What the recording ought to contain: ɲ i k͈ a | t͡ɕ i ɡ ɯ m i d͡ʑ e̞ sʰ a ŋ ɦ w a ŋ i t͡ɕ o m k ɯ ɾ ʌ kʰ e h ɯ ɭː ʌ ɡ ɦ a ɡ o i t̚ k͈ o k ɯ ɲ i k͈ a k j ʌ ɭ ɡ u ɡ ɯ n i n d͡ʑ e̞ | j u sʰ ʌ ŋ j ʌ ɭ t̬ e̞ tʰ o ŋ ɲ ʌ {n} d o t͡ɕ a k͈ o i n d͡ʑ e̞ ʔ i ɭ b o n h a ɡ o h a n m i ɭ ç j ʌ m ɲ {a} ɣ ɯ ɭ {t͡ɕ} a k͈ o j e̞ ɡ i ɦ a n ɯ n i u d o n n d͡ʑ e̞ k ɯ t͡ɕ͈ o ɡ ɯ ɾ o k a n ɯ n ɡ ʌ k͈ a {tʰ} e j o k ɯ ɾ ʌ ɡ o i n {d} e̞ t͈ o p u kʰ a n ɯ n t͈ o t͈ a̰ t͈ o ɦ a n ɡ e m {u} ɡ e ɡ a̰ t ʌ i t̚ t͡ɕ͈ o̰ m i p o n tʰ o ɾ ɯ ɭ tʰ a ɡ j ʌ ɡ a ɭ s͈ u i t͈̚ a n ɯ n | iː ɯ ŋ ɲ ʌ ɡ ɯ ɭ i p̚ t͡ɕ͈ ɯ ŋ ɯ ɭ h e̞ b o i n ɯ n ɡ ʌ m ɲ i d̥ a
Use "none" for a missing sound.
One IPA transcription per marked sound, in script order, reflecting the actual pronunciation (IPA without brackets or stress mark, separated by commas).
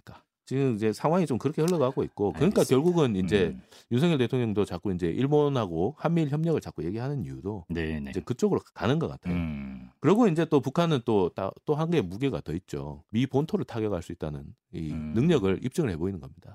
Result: ŋ, ʌ, t͡ɕ, tʰ, d͡ʑ, u